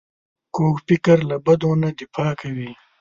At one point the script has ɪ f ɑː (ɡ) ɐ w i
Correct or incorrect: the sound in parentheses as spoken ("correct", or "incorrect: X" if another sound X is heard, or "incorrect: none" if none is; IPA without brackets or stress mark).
incorrect: k